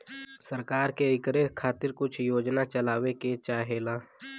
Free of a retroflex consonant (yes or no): yes